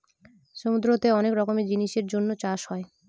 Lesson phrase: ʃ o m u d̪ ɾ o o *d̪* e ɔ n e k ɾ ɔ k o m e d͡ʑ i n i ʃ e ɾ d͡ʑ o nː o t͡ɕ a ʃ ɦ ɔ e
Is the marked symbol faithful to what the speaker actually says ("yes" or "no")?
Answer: no